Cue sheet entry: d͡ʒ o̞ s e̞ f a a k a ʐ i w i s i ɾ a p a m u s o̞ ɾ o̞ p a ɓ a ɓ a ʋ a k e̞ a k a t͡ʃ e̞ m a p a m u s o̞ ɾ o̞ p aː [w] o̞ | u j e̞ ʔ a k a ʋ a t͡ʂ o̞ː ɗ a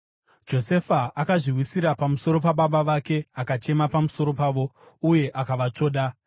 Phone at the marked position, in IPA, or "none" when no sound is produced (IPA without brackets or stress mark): ʋ